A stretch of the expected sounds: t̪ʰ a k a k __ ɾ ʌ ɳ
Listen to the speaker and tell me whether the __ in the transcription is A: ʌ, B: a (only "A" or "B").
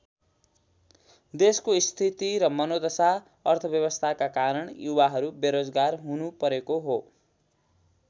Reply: B